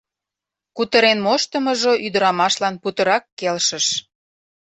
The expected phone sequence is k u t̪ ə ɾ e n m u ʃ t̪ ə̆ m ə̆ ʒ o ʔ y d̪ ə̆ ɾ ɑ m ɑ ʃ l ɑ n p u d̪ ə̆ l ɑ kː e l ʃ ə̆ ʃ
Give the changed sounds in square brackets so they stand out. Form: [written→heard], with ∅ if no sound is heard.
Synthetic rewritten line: k u t̪ ə ɾ e n m [u→o] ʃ t̪ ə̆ m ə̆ ʒ o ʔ y d̪ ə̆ ɾ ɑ m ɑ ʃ l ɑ n p u [d̪→t̪] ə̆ [l→ɾ] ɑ kː e l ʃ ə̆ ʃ